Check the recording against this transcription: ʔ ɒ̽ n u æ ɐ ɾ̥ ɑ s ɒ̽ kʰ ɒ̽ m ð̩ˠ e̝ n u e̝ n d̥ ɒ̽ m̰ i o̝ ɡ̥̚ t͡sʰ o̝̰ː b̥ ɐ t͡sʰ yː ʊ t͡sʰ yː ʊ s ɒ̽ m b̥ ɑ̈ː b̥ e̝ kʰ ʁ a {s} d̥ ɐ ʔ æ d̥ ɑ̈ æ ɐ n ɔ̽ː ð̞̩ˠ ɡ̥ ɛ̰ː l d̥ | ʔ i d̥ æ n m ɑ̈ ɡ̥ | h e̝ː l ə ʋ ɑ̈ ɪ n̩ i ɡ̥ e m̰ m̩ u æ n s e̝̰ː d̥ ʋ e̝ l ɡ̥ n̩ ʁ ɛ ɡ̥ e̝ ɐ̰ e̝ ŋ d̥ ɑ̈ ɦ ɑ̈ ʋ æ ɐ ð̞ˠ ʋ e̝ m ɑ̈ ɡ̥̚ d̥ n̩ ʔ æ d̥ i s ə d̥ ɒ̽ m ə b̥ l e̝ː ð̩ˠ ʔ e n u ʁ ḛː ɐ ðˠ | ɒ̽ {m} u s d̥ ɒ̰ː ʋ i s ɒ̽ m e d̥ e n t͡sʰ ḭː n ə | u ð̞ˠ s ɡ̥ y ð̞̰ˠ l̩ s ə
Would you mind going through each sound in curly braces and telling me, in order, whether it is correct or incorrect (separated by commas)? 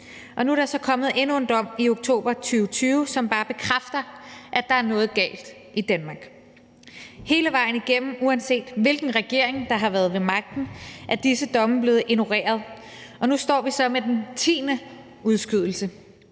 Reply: incorrect, incorrect